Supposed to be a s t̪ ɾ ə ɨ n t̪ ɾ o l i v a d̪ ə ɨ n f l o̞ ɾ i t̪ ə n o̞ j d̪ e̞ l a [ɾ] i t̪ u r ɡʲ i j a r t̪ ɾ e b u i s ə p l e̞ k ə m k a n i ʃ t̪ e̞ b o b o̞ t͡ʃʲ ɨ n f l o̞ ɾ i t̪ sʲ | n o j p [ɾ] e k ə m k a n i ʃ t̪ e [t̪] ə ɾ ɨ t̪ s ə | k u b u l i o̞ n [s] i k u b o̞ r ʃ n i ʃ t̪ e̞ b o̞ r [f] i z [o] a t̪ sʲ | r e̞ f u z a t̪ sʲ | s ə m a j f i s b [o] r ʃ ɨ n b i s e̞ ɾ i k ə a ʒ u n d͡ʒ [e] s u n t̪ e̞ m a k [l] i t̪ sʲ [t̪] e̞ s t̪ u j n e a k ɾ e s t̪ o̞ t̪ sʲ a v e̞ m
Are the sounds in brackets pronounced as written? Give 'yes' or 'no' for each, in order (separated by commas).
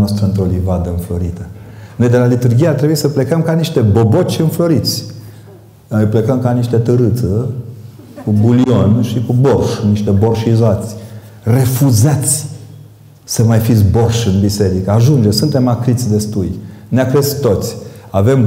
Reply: no, no, yes, no, no, yes, yes, yes, no, no